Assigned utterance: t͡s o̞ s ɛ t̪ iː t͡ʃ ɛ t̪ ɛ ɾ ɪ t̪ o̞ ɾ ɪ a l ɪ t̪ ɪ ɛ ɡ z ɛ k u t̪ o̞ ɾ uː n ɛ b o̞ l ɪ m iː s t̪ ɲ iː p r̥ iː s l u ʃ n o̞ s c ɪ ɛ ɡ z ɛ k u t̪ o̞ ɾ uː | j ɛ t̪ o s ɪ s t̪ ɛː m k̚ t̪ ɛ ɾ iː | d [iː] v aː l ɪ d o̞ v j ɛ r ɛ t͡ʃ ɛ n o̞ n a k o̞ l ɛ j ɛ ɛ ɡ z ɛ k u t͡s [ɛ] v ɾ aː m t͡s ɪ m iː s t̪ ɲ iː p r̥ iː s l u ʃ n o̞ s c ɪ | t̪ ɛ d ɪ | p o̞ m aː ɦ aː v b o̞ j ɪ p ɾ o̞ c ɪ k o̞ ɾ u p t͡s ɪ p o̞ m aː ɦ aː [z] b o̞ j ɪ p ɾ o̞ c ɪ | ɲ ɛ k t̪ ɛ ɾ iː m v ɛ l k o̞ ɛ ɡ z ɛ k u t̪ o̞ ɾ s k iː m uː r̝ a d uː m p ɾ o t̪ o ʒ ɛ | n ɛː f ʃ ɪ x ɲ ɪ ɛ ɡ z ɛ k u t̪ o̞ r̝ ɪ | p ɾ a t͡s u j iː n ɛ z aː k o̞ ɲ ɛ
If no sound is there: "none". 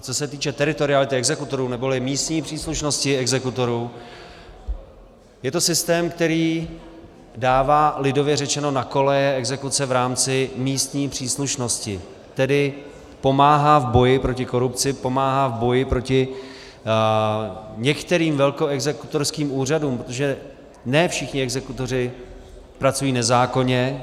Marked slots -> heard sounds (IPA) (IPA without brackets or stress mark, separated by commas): aː, ɛ, v